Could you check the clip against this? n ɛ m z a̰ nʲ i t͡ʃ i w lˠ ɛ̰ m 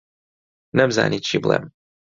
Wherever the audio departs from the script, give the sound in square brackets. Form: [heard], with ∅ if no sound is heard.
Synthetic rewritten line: n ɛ m z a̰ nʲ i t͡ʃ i [b] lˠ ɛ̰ m